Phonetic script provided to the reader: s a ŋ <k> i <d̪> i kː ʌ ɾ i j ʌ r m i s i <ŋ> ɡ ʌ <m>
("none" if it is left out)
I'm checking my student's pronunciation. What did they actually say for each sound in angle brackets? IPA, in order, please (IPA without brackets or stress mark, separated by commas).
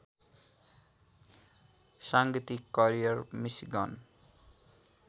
ɡ, t̪, none, n